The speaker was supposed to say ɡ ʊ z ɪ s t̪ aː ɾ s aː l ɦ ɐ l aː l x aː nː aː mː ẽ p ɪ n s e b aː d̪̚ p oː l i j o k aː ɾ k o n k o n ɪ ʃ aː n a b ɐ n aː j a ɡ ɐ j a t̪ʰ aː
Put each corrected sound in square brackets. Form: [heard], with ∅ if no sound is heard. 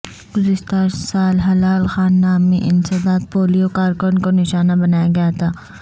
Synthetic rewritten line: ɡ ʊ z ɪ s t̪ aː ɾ s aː l ɦ ɐ l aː l x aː nː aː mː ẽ [ʔ] ɪ n s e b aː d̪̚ p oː l i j o k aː ɾ k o n k o n ɪ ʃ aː n a b ɐ n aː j a ɡ ɐ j a t̪ʰ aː